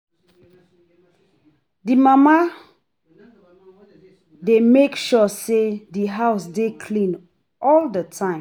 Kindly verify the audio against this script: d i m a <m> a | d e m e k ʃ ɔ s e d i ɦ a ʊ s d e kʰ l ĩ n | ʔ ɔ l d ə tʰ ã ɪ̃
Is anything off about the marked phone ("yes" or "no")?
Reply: no